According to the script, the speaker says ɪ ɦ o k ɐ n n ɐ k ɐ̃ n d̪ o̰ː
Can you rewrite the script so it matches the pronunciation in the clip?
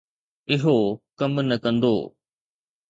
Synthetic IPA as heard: ɪ ɦ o k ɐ m n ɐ k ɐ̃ n d̪ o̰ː